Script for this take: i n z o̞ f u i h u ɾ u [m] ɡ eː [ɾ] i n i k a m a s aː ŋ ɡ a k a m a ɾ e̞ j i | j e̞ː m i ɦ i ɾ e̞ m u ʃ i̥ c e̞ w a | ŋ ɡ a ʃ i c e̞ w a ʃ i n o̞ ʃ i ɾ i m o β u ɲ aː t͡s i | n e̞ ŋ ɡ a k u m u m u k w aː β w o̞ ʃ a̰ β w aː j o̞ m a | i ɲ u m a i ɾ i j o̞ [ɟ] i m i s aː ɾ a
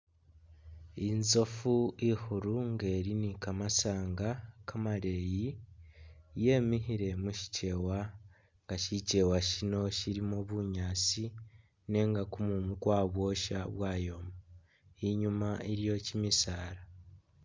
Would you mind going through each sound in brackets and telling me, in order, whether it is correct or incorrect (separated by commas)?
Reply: incorrect, correct, incorrect